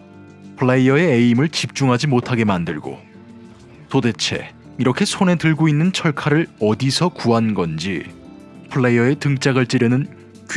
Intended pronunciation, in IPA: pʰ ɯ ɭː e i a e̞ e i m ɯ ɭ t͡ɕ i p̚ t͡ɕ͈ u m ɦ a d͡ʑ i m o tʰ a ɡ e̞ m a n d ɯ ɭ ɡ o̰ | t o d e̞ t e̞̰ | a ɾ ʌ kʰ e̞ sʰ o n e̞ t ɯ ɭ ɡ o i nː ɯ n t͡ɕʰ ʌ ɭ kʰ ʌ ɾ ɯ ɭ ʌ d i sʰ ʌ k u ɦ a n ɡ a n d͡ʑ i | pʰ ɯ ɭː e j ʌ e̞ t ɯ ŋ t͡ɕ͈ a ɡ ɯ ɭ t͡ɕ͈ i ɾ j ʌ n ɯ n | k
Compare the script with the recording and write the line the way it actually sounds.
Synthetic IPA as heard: pʰ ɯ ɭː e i ʌ e̞ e i m ɯ ɭ t͡ɕ i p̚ t͡ɕ͈ u ŋ ɦ a d͡ʑ i m o tʰ a ɡ e̞ m a n d ɯ ɭ ɡ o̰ | t o d e̞ t͡ɕʰ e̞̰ | i ɾ ʌ kʰ e̞ sʰ o n e̞ t ɯ ɭ ɡ o i nː ɯ n t͡ɕʰ ʌ ɭ kʰ a ɾ ɯ ɭ ʌ d i sʰ ʌ k u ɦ a n ɡ ʌ n d͡ʑ i | pʰ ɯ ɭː e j ʌ e̞ t ɯ ŋ t͡ɕ͈ a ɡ ɯ ɭ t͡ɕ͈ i ɾ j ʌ n ɯ n | k